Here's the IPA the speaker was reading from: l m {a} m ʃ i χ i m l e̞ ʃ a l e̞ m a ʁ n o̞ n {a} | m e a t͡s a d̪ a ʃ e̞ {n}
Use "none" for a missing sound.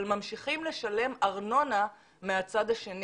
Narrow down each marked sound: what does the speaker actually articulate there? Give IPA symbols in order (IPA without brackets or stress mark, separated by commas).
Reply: a, a, n